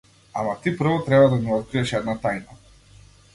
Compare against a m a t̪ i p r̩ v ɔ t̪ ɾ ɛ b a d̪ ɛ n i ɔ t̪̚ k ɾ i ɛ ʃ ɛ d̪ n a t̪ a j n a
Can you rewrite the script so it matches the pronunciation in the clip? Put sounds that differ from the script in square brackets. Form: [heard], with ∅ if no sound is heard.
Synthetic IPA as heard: a m a t̪ i p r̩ v ɔ t̪ ɾ ɛ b a d̪ [a] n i ɔ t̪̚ k ɾ i ɛ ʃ ɛ d̪ n a t̪ a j n a